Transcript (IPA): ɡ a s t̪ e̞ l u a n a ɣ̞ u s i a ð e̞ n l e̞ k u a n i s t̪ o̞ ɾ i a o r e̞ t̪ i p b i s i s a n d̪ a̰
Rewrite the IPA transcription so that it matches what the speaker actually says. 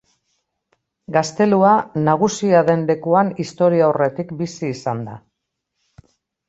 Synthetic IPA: ɡ a s t̪ e̞ l u a n a ɣ̞ u s i a ð e̞ n l e̞ k u a n i s t̪ o̞ ɾ i a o r e̞ t̪ i k b i s iː s a n d̪ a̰